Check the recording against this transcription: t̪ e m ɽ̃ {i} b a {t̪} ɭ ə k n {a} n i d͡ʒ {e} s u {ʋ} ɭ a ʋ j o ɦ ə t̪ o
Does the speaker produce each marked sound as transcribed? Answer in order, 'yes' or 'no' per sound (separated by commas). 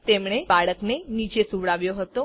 no, no, no, yes, yes